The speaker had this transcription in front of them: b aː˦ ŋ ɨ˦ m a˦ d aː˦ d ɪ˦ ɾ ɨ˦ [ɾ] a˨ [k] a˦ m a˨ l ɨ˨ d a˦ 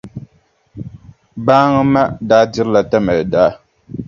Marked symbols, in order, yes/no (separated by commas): no, no